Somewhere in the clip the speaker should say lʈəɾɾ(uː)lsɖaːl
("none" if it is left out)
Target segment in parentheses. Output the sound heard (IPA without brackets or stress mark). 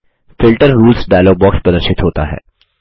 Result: uː